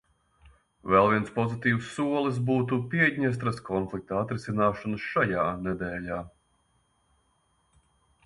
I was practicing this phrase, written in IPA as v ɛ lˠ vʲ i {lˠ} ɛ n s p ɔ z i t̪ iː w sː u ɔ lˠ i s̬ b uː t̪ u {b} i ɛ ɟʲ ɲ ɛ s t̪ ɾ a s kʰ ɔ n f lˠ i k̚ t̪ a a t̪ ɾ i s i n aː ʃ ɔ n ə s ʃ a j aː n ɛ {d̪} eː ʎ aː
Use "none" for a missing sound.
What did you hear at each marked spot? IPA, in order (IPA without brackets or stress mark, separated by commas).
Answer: none, p, d̪